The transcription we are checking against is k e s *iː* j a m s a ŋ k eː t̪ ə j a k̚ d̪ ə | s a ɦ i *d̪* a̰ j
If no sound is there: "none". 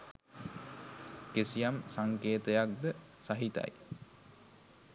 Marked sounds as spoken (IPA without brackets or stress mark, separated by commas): i, t̪